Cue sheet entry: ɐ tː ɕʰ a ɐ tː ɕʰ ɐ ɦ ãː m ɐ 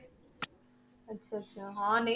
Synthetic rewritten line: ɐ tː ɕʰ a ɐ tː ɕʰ a ɦ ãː n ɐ